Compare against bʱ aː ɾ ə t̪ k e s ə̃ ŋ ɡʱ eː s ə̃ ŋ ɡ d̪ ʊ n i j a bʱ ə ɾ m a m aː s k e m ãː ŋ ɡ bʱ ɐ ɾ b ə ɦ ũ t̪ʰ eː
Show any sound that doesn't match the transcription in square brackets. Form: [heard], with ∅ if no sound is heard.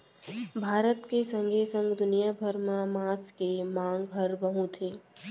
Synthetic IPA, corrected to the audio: bʱ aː ɾ ə t̪ k e s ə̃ ŋ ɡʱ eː s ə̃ ŋ ɡ d̪ ʊ n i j a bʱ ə ɾ m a m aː s k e m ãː ŋ ɡ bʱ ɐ ɾ b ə ɦ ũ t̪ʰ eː